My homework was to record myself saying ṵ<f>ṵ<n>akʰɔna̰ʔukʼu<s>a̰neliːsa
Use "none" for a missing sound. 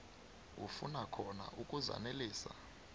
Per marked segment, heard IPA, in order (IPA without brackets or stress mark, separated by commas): f, n, z